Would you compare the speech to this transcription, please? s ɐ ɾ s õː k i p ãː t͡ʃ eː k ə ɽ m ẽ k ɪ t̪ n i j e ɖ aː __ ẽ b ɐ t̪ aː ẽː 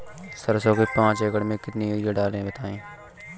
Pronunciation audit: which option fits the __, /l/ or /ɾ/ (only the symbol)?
l